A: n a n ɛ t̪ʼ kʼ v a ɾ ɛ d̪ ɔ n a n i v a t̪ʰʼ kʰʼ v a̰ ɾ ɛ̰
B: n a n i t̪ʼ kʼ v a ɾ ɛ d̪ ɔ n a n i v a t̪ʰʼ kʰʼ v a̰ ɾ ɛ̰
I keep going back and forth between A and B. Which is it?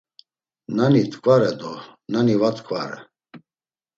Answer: B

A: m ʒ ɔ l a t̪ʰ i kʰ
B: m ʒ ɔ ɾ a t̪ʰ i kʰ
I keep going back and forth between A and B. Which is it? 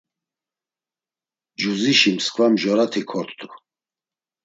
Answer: B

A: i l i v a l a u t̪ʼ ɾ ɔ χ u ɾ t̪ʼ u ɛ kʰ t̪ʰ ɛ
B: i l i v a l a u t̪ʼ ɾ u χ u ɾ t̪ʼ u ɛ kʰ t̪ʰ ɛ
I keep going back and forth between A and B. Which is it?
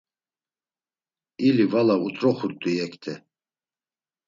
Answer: A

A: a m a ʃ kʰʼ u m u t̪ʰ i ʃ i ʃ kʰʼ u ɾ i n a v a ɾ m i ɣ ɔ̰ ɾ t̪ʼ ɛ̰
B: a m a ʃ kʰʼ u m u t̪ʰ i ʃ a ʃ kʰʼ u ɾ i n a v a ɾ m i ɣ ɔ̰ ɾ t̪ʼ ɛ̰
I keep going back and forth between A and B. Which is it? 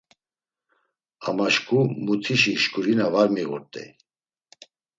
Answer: A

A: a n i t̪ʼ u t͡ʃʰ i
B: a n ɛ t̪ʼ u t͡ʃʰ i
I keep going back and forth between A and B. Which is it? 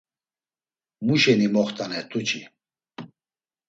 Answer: B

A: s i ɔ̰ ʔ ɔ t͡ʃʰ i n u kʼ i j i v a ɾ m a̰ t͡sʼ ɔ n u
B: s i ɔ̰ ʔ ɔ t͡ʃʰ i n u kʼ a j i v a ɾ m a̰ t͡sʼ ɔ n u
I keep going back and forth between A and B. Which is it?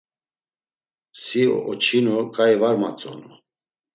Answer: B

